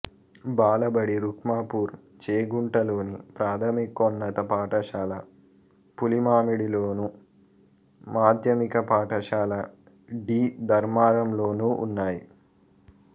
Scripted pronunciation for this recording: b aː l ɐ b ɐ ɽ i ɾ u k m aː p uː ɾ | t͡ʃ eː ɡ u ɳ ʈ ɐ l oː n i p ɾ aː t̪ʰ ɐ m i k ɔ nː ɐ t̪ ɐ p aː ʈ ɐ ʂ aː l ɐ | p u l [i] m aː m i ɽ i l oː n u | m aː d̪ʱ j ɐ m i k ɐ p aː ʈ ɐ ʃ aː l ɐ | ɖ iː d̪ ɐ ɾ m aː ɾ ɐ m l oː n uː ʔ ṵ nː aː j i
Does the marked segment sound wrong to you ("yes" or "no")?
no